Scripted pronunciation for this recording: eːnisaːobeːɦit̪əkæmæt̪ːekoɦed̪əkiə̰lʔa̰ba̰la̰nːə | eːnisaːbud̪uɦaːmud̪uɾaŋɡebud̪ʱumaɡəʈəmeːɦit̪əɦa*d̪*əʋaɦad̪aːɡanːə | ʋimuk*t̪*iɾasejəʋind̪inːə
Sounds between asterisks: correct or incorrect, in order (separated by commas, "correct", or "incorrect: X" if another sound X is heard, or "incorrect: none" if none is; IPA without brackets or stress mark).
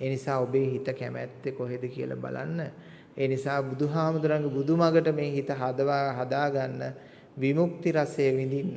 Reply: correct, correct